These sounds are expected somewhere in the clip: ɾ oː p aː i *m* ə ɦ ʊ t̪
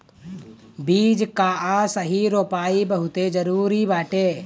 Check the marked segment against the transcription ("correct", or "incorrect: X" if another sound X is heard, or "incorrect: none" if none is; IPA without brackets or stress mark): incorrect: b